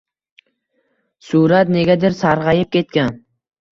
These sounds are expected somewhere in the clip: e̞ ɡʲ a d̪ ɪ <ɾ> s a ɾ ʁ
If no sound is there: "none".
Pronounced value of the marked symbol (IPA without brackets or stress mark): ɾ